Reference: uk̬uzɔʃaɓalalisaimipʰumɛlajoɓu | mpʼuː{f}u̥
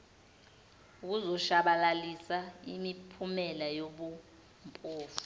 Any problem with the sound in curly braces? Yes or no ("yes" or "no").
no